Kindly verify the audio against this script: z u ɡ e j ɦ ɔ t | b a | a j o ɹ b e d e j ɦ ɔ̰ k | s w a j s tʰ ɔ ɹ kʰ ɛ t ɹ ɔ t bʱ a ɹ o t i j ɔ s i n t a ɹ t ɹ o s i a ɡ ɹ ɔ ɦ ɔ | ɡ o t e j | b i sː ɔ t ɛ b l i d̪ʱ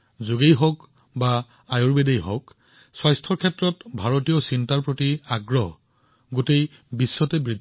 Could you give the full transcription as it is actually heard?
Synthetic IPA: z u ɡ e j ɦ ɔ k | b a | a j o ɹ b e d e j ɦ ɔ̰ k | s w a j s tʰ ɔ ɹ kʰ ɛ t ɹ ɔ t bʱ a ɹ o t i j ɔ s i n t a ɹ p ɹ o t i a ɡ ɹ ɔ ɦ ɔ | ɡ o t e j | b i sː ɔ t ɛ b ɹ i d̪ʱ

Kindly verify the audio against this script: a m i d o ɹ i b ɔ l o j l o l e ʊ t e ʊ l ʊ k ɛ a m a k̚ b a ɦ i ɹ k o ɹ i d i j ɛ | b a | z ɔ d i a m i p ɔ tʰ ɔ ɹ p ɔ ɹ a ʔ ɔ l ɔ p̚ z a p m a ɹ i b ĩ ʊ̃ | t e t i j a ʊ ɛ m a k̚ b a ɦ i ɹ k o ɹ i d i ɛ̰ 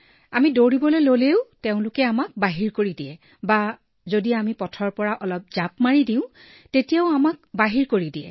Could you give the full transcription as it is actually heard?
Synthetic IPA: a m i d o ɹ i b ɔ l o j l o l e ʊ t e ʊ̃ l ʊ k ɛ a m a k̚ b a ɦ i ɹ k o ɹ i d i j ɛ | b a | z o d i a m i p ɔ tʰ ɔ ɹ p ɔ ɹ a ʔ ɔ l ɔ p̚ z a p m a ɹ i d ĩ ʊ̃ | t e t i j a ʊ a m a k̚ b a ɦ i ɹ k o ɹ i d i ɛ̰

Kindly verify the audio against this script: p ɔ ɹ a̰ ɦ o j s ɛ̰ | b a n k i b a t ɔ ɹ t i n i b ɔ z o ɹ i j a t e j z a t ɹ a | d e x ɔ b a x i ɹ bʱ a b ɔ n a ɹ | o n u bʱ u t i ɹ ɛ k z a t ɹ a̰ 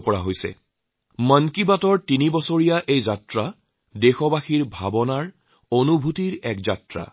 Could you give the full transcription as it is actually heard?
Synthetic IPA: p ɔ ɹ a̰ ɦ o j s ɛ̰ | m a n k i b a t ɔ ɹ t i n i b ɔ s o ɹ i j a ʔ e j z a t ɹ a | d e x ɔ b a x i ɹ bʱ a b ɔ n a ɹ | o n u bʱ u t i ɹ ɛ k z a t ɹ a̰

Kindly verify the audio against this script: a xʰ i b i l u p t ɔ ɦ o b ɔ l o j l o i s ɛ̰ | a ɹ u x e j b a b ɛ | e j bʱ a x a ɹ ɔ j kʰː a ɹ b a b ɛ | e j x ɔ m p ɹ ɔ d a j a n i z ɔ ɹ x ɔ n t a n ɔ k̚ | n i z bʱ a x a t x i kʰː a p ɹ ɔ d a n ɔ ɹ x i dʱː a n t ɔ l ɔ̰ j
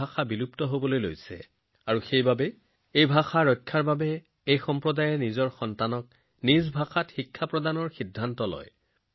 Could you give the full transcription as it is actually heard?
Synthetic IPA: a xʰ a b i l u p t ɔ ɦ o b ɔ l o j l o j s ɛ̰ | a ɹ u x e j b a b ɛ | e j bʱ a x a ɹ ɔ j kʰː a ɹ b a b ɛ | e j x ɔ m p ɹ ɔ d a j ɛ n i z ɔ ɹ x ɔ n t a n ɔ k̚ | n i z bʱ a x a t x i kʰː a p ɹ ɔ d a n ɔ ɹ x i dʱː a n t ɔ l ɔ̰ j

